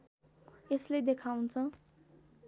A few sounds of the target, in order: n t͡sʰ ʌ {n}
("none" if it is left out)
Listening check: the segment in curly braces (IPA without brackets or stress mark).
none